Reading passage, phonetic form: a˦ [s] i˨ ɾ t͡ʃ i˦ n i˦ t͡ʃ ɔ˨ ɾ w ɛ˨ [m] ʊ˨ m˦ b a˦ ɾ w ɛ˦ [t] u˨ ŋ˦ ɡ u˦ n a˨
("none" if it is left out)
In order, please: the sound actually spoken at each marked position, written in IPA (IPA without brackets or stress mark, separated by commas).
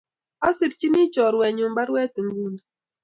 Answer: s, ɲ, t